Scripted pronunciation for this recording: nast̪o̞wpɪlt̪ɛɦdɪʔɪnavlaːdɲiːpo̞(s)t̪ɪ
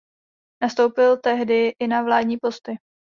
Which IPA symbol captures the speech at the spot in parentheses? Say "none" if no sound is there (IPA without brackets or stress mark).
s